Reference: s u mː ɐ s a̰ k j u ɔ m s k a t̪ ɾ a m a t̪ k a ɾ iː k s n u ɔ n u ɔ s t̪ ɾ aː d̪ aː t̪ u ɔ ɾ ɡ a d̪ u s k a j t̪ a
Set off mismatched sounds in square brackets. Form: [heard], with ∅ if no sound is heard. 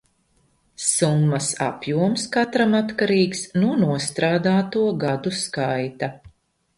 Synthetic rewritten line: s u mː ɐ s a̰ [p] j u ɔ m s k a t̪ ɾ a m a t̪ k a ɾ iː k s n u ɔ n u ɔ s t̪ ɾ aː d̪ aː t̪ u ɔ [∅] ɡ a d̪ u s k a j t̪ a